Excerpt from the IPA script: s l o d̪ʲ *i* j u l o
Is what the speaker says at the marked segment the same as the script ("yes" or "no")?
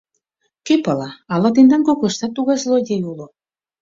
no